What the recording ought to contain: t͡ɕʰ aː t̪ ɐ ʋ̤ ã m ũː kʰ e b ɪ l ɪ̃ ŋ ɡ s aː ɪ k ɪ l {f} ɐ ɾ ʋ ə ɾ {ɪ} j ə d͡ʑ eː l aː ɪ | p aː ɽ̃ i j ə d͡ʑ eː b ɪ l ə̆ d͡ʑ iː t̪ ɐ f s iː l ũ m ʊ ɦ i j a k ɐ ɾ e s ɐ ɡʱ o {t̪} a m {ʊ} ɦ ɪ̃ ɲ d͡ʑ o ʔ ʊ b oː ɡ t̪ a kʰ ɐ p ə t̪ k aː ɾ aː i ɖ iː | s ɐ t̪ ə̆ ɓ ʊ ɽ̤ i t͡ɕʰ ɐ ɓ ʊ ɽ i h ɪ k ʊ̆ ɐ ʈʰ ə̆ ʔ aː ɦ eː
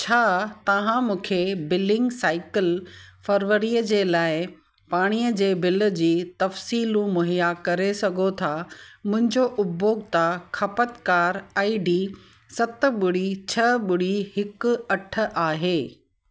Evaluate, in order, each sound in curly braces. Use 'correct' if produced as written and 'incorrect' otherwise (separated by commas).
correct, incorrect, incorrect, incorrect